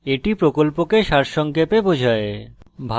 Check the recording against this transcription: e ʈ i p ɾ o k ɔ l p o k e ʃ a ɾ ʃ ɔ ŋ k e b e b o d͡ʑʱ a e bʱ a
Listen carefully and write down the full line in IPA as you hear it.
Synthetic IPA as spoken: e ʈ i p ɾ o k o l p o k e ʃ a ɾ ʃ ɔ ŋ k e p e b o d͡ʑʱ a e bʱ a